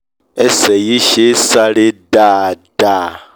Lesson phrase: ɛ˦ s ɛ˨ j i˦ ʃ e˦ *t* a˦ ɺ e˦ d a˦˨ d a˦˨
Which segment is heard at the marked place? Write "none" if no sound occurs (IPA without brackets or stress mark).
s